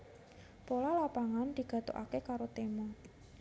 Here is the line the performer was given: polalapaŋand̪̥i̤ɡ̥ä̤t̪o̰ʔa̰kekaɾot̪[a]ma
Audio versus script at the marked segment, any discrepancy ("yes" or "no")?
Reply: yes